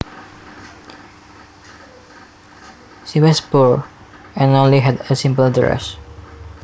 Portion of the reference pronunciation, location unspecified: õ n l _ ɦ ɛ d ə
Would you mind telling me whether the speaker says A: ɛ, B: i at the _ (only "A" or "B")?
B